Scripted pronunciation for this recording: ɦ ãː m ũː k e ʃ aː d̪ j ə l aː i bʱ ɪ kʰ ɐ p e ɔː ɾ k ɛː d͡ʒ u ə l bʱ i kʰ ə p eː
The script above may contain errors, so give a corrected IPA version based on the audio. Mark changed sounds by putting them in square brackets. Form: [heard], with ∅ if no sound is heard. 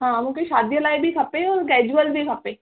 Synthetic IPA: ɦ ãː m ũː k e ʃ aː d̪ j ə l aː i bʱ [i] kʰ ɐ p e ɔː ɾ k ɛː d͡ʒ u ə l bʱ i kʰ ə p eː